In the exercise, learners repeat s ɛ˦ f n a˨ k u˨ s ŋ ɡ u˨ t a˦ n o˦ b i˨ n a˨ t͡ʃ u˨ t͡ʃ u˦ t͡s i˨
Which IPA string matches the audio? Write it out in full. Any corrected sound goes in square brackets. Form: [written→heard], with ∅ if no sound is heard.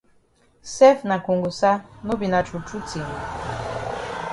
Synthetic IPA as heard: s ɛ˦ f n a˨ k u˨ [s→∅] ŋ ɡ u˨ [t→s] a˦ n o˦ b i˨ n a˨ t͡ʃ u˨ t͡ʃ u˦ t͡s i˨